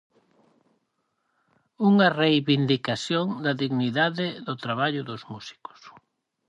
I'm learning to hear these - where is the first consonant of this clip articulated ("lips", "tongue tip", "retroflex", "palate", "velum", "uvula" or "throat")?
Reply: velum